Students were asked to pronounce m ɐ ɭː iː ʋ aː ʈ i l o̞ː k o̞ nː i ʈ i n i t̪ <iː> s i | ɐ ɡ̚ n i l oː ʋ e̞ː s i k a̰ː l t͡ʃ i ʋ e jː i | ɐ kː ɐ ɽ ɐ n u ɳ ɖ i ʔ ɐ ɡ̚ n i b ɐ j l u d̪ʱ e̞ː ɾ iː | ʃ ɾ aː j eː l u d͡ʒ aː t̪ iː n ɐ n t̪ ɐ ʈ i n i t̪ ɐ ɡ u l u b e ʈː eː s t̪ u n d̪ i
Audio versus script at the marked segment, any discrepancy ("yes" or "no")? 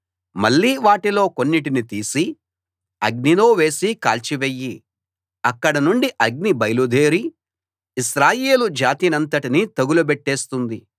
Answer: no